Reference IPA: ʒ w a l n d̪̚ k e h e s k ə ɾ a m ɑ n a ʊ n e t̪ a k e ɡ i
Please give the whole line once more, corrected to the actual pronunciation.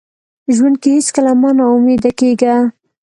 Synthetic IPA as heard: ʒ w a n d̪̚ k e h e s k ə l a m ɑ n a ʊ m e d̪ a k e ɡ a